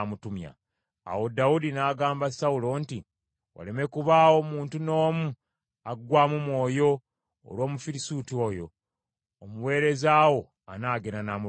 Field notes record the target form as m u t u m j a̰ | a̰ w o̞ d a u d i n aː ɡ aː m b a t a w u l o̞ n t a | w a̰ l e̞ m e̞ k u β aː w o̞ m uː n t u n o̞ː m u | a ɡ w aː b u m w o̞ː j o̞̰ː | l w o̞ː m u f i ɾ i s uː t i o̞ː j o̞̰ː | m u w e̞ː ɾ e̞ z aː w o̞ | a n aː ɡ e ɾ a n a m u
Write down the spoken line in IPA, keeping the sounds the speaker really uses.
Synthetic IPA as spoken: m u t u m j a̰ | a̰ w o̞ d a u d i n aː ɡ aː m b a s a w u l o̞ n t i | w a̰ l e̞ m e̞ k u β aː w o̞ m uː n t u n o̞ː m u | a ɡ w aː m u m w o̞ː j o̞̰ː | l w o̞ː m u f i ɾ i s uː t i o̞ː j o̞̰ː | m u w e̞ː ɾ e̞ z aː w o̞ | a n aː ɡ e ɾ a n a m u

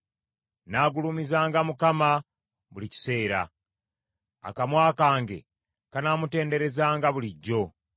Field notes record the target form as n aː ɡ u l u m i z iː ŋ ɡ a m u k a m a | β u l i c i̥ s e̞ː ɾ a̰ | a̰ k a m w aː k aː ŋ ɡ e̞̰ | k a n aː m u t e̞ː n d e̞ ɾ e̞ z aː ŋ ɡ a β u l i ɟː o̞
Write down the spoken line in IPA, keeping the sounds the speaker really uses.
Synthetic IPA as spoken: n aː ɡ u l u m i z aː ŋ ɡ a m u k a m a | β u l i c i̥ s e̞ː ɾ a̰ | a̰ k a m w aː k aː ŋ ɡ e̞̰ | k a n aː m u t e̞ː n d e̞ ɾ e̞ z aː ŋ ɡ a β u l i ɟː o̞

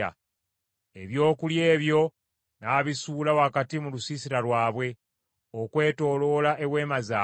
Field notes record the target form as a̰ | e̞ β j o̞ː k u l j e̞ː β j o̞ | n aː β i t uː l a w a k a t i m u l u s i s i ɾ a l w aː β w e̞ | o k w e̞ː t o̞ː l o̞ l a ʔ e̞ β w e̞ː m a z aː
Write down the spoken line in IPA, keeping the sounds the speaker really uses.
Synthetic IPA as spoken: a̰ | e̞ β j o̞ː k u l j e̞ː β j o̞ | n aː β i s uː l a w a k a t i m u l u s i s i ɾ a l w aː β w e̞ | o k w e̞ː t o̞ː l o̞ l a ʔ e̞ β w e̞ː m a z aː

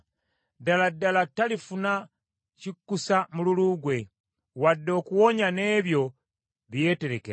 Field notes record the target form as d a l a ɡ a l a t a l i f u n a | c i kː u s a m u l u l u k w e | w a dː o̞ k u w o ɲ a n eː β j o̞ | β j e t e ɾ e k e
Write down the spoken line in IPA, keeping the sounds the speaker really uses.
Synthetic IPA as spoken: d a l a d a l a t a l i f u n a | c i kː u s a m u l u l u ɡ w e | w a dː o̞ k u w o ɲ a n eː β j o̞ | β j e t e ɾ e k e

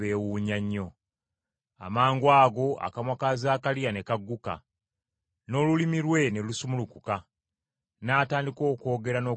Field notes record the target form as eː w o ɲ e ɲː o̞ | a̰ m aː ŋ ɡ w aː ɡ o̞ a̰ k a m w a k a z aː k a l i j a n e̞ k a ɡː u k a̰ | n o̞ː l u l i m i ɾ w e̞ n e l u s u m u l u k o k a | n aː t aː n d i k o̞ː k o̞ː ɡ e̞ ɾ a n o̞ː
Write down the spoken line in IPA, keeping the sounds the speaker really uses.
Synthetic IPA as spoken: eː w u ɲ a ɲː o̞ | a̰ m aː ŋ ɡ w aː ɡ o̞ a̰ k a m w a k a z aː k a l i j a n e̞ k a ɡː u k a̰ | n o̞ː l u l i m i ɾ w e̞ n e l u s u m u l u k u k a | n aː t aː n d i k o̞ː k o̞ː ɡ e̞ ɾ a n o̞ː

